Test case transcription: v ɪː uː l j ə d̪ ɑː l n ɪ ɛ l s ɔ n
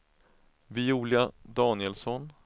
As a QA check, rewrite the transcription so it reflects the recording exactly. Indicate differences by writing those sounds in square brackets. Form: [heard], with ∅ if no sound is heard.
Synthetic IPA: v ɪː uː l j [a] d̪ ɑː [∅] n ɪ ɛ l s ɔ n